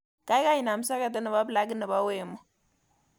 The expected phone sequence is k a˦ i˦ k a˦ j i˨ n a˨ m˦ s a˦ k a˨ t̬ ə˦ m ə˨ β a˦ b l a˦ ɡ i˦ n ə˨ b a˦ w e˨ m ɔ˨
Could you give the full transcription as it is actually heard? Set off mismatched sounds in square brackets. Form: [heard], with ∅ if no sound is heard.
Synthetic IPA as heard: k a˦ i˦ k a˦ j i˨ n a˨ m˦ s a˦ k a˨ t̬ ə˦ [n] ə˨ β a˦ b l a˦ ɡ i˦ n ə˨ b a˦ w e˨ m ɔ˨